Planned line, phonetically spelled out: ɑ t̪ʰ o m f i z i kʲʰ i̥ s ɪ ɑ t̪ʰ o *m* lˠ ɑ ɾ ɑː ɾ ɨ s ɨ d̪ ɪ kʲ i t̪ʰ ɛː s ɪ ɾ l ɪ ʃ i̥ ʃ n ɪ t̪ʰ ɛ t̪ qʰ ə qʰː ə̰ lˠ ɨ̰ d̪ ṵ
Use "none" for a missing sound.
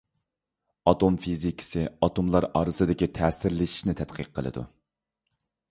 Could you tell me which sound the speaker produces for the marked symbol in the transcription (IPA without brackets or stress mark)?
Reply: m